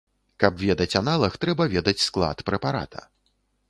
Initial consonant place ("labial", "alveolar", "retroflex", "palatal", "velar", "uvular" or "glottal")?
velar